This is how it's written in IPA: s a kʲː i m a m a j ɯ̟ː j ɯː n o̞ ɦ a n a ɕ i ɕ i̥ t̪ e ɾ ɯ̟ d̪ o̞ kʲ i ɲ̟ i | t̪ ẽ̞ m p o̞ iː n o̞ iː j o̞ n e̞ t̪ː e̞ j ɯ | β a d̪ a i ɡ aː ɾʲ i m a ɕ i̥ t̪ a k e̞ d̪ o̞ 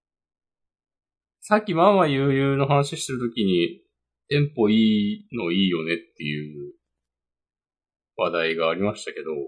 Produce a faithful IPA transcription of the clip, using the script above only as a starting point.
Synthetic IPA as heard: s a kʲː i m a m a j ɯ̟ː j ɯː n o̞ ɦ a n a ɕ i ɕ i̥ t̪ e ɾ ɯ̟ t̪ o̞ kʲ i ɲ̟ i | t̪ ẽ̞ m p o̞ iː n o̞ iː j o̞ n e̞ t̪ː e̞ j ɯ | β a d̪ a i ɡ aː ɾʲ i m a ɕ i̥ t̪ a k e̞ d̪ o̞